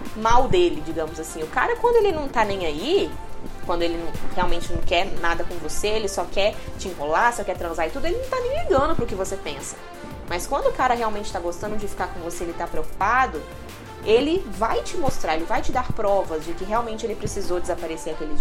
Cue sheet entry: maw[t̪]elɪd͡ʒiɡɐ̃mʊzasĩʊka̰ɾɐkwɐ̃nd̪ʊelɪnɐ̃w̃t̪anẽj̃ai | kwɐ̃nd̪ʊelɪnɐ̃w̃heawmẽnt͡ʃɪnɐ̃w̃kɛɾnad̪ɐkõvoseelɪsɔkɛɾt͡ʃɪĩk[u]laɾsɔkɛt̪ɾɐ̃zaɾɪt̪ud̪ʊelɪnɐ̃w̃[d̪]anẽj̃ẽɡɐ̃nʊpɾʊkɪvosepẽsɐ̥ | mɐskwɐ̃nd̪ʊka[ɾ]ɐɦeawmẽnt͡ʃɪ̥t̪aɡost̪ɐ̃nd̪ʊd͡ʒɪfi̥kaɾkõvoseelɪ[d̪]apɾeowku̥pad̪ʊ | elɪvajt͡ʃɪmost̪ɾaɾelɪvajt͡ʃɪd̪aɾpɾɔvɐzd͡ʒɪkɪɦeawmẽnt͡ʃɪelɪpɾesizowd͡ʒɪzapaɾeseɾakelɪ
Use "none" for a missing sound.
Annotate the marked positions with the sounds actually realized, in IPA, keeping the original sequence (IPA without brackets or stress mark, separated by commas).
d̪, o, t̪, ɾ, t̪